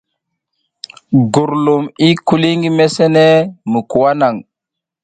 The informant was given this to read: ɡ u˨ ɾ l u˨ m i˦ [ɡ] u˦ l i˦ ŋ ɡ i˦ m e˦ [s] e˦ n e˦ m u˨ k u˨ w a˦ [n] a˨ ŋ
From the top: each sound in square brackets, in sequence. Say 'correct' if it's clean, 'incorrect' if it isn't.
incorrect: k, correct, correct

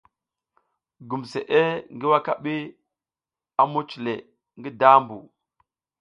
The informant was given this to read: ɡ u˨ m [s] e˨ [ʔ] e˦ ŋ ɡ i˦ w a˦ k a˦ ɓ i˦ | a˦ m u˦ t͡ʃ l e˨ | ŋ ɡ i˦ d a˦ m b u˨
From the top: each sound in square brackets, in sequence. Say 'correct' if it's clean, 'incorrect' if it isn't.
correct, correct

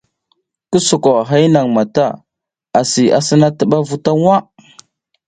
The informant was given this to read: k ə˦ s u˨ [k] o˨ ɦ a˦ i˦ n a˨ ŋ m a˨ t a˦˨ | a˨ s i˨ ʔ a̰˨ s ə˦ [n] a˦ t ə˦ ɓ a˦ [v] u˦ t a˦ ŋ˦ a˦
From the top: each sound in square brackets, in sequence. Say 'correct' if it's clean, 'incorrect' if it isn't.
correct, correct, correct

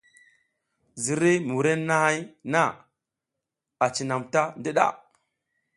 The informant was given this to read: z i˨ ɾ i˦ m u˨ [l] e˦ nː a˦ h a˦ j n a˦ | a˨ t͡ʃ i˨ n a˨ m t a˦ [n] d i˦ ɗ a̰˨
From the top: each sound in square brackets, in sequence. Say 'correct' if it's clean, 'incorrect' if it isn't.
incorrect: ɾ, correct

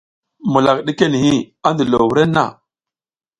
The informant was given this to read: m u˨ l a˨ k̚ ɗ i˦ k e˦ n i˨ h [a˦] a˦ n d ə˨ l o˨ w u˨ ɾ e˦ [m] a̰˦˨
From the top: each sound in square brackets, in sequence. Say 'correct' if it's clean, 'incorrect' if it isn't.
incorrect: i˦, incorrect: n

